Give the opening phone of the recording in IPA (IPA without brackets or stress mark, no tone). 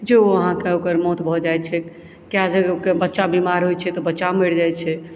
d͡ʒ